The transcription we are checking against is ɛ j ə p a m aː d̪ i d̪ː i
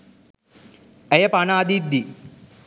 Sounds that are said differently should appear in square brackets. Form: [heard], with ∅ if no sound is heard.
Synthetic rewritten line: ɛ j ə p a [n] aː d̪ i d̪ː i